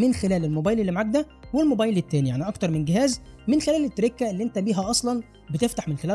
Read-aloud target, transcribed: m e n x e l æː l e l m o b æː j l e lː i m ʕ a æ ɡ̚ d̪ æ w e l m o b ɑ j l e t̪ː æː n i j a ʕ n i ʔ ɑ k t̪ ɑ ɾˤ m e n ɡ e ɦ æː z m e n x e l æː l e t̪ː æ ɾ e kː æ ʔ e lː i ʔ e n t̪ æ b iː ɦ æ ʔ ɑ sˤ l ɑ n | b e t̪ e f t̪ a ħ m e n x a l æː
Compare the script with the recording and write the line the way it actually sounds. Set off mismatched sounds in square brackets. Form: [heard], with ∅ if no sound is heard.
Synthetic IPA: m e n x e l æː l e l m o b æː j l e lː i m ʕ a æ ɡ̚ d̪ æ w e l m o b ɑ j l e t̪ː æː n i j a ʕ n i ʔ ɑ k t̪ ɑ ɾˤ m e n ɡ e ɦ æː z m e n x e l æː l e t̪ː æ ɾ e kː æ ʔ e lː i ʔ e n t̪ æ b iː ɦ æ ʔ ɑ sˤ l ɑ n | b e t̪ e f t̪ a ħ m e n x [e] l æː